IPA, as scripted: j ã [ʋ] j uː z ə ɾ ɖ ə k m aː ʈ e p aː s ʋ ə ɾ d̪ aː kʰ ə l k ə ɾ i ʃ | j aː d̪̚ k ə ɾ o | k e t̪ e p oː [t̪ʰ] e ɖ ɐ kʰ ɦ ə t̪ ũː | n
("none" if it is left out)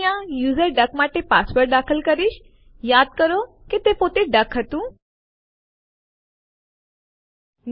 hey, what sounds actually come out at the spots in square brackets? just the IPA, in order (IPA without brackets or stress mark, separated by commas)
none, t̪